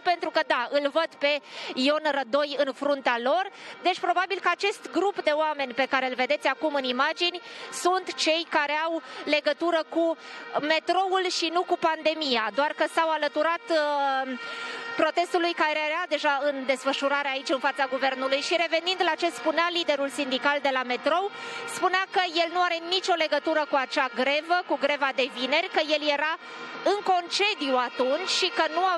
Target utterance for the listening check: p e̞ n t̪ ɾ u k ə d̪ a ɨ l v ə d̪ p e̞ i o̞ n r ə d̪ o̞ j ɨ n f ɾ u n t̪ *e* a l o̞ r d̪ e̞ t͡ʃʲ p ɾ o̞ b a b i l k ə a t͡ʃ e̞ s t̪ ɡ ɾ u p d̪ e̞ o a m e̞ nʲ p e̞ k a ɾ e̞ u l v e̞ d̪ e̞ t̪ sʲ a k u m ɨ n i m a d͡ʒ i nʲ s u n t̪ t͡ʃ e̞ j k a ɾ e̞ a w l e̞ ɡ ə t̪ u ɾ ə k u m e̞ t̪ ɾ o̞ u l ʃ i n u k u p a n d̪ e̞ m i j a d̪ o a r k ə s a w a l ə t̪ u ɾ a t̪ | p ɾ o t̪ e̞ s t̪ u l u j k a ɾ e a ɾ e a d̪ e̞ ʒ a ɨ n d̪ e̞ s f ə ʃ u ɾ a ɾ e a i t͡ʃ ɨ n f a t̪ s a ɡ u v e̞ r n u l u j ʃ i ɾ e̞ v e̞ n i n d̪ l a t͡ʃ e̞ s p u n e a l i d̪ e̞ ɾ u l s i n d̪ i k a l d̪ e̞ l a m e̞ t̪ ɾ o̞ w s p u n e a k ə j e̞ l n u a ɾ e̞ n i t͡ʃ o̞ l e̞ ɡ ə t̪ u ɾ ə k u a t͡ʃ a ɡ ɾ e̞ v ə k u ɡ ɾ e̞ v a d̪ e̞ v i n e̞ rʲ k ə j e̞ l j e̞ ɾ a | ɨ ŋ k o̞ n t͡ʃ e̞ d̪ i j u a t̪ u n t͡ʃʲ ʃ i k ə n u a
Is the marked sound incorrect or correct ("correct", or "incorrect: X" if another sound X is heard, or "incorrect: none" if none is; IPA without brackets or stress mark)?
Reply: correct